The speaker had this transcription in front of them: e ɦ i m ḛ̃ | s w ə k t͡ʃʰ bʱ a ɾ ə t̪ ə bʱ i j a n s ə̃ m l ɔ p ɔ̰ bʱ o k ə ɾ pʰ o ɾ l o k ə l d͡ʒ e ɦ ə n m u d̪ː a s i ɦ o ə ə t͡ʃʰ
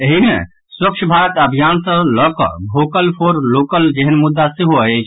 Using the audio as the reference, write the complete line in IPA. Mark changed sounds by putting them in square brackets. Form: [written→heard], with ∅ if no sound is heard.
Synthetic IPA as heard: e ɦ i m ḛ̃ | s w ə k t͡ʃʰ bʱ a ɾ ə t̪ ə bʱ i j a n s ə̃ [m→∅] l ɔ [p→k] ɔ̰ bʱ o k ə [ɾ→l] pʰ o ɾ l o k ə l d͡ʒ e ɦ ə n m u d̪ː a s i ɦ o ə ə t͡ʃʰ